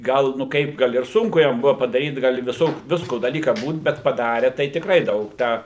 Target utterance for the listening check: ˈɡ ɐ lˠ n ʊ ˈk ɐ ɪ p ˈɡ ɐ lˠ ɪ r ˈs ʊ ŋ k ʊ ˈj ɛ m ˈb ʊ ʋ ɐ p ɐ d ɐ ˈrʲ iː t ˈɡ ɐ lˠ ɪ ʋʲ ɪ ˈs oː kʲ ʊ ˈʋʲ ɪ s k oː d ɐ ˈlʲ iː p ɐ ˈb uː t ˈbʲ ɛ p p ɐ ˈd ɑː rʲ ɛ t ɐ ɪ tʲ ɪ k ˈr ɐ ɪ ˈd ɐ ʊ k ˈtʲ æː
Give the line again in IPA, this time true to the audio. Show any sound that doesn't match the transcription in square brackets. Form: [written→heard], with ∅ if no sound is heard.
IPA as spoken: ˈɡ ɐ lˠ n ʊ ˈk ɐ ɪ p ˈɡ ɐ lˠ ɪ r ˈs ʊ ŋ k ʊ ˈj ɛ m ˈb ʊ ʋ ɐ p ɐ d ɐ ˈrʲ iː t ˈɡ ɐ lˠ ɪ ʋʲ ɪ ˈs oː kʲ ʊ ˈʋʲ ɪ s k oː d ɐ ˈlʲ iː [p→k] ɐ ˈb uː t ˈbʲ ɛ [p→t] p ɐ ˈd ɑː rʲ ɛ t ɐ ɪ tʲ ɪ k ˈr ɐ ɪ ˈd ɐ ʊ k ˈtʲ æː